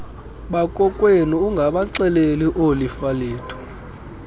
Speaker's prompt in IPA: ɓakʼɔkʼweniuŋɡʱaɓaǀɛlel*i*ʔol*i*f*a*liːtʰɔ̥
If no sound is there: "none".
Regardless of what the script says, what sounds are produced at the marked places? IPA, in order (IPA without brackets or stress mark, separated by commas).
i, i, a